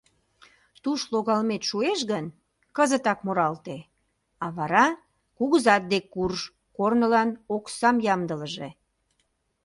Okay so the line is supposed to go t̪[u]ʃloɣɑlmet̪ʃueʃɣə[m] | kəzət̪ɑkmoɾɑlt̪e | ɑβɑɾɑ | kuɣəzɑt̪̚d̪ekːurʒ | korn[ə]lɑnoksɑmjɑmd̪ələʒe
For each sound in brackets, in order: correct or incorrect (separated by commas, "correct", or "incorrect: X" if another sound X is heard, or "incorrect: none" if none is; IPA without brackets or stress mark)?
correct, incorrect: n, correct